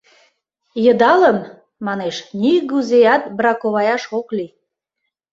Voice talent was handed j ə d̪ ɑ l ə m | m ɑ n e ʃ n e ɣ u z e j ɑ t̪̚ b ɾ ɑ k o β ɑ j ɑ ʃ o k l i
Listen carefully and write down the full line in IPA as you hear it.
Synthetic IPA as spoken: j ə d̪ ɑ l ə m | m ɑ n e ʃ n i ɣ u z e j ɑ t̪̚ b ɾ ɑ k o β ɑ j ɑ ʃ o k l i